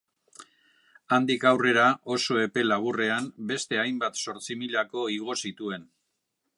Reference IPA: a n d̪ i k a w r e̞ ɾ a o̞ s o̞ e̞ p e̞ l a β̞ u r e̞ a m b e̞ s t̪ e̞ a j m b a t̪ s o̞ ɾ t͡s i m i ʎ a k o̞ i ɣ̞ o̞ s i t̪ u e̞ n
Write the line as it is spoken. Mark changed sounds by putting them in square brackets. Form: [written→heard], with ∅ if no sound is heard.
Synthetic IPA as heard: a n d̪ i k a w r e̞ ɾ a o̞ s o̞ e̞ p e̞ l a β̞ u r e̞ a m b e̞ s t̪ e̞ a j m b a t̪ s o̞ ɾ t͡s i m i ʎ a k o̞ i ɣ̞ o̞ s i t̪ u e̞ n